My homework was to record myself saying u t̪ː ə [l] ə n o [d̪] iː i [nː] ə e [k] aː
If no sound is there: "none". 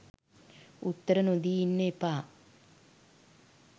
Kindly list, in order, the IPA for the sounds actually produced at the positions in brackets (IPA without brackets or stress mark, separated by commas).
ɾ, d̪, nː, p